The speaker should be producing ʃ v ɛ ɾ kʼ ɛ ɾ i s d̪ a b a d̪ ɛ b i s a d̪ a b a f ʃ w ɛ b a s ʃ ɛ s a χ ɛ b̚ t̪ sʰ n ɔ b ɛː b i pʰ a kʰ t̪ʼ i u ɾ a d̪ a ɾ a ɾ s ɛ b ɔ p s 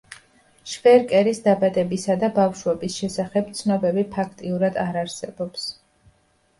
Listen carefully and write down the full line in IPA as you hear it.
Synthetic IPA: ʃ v ɛ ɾ kʼ ɛ ɾ i s d̪ a b a d̪ ɛ b i s a d̪ a b a f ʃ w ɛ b i s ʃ ɛ s a χ ɛ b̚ t̪ sʰ n ɔ b ɛ b i pʰ a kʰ t̪ʼ i u ɾ a d̪ a ɾ a ɾ s ɛ b ɔ p s